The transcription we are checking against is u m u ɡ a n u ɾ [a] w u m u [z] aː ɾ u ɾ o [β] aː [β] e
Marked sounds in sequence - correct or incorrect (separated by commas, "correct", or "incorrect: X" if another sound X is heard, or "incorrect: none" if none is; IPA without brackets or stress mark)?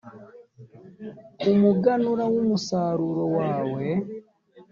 correct, incorrect: s, incorrect: w, incorrect: w